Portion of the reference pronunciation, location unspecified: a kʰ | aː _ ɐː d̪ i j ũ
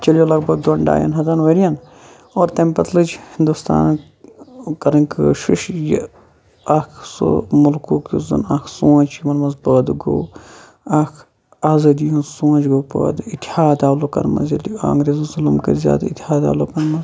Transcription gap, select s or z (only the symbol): z